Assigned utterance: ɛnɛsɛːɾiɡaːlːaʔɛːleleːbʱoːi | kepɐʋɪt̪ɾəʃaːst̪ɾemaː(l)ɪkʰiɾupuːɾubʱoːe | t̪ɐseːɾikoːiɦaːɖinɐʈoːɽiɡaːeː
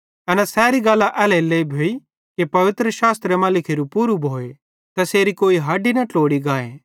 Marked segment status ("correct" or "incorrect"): correct